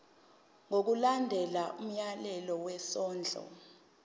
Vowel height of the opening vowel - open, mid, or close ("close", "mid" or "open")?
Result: mid